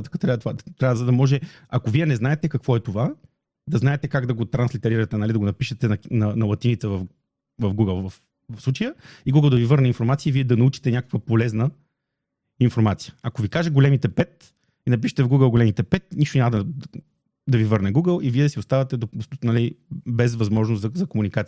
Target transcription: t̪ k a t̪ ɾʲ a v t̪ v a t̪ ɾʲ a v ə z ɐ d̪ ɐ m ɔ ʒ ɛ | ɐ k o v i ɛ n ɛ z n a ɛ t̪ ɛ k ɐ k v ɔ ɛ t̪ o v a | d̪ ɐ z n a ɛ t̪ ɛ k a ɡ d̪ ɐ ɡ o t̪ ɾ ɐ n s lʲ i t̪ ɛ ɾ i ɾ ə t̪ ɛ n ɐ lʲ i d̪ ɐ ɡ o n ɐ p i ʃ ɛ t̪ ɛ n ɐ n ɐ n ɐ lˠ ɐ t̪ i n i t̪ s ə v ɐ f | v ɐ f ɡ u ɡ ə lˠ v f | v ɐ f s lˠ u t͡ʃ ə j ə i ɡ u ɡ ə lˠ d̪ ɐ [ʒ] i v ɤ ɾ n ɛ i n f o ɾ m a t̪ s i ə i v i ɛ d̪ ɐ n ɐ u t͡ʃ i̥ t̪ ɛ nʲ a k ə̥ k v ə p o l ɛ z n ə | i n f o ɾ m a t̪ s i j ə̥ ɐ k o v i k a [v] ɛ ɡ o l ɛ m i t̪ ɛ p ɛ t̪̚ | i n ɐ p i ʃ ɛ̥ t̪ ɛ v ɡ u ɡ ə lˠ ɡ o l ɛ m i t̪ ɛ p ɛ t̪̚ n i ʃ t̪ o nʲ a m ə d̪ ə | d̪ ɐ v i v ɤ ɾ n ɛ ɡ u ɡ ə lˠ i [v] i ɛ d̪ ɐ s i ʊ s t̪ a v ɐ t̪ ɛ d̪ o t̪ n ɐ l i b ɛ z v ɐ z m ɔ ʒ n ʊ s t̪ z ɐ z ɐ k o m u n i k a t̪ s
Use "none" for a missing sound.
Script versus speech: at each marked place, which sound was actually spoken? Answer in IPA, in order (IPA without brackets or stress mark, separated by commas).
v, ʒ, v